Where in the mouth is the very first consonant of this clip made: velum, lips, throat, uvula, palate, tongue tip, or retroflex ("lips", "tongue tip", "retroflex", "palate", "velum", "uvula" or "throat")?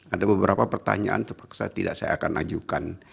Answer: tongue tip